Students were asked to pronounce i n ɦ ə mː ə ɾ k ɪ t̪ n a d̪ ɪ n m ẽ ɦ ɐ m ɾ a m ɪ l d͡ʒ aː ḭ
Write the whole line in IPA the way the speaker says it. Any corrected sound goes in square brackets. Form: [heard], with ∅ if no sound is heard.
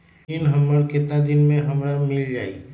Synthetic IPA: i n ɦ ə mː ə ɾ k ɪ t̪ n a d̪ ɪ n m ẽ ɦ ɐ m ɾ a m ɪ l d͡ʒ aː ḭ